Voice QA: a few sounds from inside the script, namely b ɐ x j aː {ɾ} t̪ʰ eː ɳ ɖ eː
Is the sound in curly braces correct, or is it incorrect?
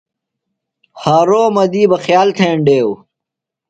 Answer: incorrect